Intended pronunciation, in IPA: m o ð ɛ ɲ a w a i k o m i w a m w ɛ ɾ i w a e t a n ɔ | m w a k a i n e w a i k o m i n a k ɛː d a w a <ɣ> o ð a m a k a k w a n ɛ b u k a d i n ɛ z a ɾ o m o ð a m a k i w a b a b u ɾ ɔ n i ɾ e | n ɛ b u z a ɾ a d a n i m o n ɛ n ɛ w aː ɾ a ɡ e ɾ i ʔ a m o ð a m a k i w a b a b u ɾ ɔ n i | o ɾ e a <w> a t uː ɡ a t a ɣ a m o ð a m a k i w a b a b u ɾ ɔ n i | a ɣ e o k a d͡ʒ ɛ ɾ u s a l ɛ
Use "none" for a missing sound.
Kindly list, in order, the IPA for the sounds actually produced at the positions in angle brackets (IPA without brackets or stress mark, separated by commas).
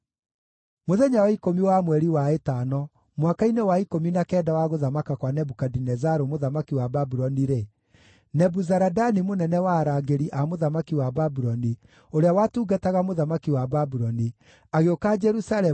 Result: ɣ, w